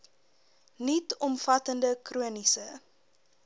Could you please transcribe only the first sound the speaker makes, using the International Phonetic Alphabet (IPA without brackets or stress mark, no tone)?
n